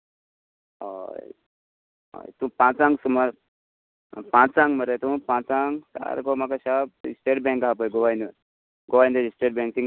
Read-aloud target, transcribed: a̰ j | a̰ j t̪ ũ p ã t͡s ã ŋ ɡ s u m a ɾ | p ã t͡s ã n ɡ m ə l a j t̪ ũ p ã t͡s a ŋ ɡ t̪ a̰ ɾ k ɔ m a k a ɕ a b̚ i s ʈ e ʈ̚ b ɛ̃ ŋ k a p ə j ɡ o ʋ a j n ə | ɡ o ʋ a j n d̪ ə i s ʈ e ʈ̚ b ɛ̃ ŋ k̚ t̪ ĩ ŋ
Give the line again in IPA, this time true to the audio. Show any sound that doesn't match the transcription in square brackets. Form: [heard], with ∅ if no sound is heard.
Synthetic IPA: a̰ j | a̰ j t̪ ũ p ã t͡s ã ŋ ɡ s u m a ɾ | p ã t͡s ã [ŋ] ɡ m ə [ɾ] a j t̪ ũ p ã t͡s a ŋ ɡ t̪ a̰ ɾ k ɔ m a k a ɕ a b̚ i s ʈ e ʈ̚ b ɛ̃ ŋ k a p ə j ɡ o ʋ a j n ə | ɡ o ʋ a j n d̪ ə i s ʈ e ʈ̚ b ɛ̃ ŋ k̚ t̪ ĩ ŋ